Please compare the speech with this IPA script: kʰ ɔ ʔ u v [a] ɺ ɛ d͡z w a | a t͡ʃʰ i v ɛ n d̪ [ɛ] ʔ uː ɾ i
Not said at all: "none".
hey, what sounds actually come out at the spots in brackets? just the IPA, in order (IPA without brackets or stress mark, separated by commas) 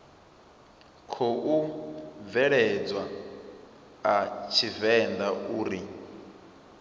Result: ɛ, a